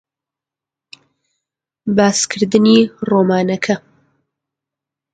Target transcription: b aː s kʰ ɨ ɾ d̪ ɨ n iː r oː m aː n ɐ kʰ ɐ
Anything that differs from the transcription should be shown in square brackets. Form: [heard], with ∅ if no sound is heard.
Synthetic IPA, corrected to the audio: b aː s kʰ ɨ ɾ d̪ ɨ n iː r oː m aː n ɐ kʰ ɐ